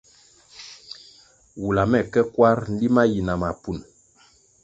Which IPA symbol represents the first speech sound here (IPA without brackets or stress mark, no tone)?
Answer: w